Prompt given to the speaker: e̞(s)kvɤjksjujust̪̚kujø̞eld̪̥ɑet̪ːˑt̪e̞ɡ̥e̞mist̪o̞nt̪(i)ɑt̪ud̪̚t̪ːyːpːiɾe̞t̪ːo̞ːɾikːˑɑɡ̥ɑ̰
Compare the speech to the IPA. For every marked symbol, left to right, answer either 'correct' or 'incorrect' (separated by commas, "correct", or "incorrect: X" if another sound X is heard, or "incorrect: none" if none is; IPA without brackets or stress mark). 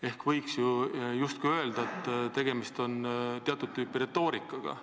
incorrect: h, incorrect: e